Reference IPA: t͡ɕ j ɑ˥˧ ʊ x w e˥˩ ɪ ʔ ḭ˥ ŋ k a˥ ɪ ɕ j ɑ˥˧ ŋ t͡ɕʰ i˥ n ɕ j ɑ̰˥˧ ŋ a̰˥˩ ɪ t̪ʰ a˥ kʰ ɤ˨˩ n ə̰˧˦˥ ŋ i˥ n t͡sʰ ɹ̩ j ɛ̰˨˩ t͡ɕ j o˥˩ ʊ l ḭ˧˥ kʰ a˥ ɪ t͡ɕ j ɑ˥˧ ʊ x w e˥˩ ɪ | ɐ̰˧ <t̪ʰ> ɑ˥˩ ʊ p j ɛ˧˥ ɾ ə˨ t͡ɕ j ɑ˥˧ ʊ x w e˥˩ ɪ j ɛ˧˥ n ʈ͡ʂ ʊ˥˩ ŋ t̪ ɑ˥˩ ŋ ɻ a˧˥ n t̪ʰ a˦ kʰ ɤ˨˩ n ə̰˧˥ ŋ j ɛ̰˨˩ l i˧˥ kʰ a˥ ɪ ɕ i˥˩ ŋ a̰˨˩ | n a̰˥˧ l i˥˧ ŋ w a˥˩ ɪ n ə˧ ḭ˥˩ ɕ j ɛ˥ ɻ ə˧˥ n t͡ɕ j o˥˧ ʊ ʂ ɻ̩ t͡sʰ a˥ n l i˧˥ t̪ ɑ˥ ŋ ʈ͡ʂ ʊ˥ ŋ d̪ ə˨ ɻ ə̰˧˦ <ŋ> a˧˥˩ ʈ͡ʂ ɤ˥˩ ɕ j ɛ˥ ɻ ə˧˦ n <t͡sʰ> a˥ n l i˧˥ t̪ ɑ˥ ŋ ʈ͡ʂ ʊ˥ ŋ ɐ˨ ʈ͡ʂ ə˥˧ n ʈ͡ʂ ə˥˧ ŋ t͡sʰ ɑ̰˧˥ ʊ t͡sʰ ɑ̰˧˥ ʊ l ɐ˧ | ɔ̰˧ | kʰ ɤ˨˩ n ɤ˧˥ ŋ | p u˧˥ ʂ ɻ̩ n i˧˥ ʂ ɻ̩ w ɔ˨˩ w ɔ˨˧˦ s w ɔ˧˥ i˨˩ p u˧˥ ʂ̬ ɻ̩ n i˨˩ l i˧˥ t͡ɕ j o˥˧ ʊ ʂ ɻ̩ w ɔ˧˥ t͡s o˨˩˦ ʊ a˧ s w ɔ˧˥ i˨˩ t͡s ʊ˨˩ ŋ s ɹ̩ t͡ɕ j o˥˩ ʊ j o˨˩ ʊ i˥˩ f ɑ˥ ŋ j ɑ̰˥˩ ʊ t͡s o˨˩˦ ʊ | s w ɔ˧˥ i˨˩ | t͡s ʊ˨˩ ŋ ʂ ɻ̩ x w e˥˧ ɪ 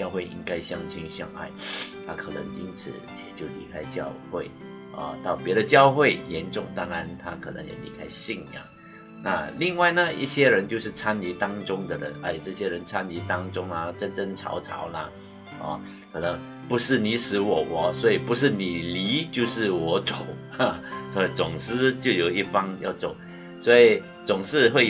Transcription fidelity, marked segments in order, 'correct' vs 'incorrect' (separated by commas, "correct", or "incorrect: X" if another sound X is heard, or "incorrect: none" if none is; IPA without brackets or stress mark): incorrect: t̪, incorrect: n, correct